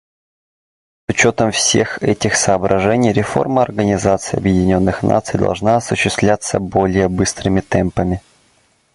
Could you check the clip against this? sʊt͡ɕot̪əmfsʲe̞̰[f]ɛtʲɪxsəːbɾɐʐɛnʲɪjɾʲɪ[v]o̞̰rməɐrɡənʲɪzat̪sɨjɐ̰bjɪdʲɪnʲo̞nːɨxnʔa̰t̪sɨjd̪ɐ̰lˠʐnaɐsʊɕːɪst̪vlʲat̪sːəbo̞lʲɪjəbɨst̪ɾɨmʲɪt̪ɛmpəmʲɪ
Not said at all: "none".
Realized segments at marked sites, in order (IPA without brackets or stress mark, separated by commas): x, f